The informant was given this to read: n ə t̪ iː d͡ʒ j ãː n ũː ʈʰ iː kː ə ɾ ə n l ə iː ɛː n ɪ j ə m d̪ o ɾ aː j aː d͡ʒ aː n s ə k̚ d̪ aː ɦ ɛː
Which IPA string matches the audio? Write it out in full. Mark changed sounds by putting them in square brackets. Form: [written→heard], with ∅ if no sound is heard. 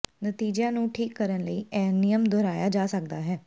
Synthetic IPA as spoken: n ə t̪ iː d͡ʒ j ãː n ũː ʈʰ iː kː ə ɾ ə n l ə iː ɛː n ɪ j ə m d̪ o ɾ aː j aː d͡ʒ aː [n→∅] s ə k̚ d̪ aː ɦ ɛː